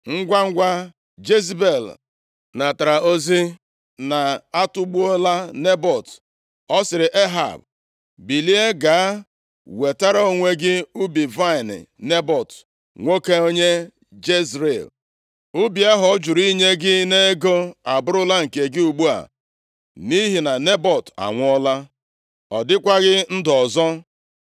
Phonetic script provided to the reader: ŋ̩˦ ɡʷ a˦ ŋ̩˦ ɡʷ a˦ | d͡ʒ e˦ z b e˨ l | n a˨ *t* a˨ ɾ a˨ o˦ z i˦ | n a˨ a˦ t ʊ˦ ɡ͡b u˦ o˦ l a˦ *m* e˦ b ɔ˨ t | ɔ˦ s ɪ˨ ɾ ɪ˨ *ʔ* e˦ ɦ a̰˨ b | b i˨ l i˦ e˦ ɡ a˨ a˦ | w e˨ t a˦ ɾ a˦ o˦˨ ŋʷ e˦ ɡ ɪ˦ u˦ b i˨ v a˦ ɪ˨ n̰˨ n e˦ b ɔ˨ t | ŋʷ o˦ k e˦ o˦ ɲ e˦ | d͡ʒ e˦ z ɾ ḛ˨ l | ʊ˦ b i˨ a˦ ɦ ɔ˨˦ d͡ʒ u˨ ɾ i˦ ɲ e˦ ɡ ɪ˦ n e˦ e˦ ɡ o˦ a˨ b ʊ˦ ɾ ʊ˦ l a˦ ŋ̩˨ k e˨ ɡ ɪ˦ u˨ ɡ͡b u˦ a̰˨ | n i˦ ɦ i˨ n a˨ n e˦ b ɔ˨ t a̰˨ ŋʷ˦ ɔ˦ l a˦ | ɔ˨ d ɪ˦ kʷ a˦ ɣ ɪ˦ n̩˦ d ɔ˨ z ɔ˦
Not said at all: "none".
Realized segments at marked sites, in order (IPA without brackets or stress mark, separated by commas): t, n, ʔ